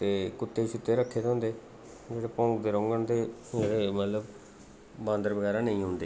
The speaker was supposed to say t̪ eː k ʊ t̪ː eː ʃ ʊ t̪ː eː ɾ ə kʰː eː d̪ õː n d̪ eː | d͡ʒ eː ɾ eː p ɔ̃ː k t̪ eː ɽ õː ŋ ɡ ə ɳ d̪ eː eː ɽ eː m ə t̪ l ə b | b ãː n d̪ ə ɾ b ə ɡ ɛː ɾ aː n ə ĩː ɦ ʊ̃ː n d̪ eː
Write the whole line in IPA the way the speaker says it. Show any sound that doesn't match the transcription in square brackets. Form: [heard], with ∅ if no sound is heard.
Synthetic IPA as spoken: t̪ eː k ʊ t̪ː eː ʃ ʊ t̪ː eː ɾ ə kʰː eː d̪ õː n d̪ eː | d͡ʒ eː [ɽ] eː p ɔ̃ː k [d̪] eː [ɾ] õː ŋ ɡ ə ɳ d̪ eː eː ɽ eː m ə t̪ l ə b | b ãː n d̪ ə ɾ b ə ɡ ɛː ɾ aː n ə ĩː ɦ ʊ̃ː n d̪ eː